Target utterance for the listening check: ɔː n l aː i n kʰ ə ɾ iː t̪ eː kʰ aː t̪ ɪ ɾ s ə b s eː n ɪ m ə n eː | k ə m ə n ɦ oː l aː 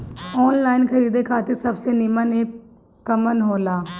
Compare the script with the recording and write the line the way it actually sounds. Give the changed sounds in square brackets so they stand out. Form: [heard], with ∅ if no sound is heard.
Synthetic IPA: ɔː n l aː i n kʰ ə ɾ iː [d̪] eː kʰ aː t̪ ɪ ɾ s ə b s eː n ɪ m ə n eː | k ə m ə n ɦ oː l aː